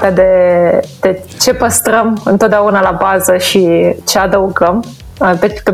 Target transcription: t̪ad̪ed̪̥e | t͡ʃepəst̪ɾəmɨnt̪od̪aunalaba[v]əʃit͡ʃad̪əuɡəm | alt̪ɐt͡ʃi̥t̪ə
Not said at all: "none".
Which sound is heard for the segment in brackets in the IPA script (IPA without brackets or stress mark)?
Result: z